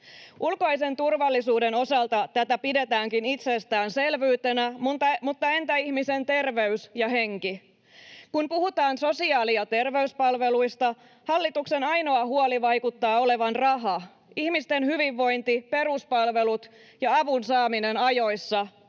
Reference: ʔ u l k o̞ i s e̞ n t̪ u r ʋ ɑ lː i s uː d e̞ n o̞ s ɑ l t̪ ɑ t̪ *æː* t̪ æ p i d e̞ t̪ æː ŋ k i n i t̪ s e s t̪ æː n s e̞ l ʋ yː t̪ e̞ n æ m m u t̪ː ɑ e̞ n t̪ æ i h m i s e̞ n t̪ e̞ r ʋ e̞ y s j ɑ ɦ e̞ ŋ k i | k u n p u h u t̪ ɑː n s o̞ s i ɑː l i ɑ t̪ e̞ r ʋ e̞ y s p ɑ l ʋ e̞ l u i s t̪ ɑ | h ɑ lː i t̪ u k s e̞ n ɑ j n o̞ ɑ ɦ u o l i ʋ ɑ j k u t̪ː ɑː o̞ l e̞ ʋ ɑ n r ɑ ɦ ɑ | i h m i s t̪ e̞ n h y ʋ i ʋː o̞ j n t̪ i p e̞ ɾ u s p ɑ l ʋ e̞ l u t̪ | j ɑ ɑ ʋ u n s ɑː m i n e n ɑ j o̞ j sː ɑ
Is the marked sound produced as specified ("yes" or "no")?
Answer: no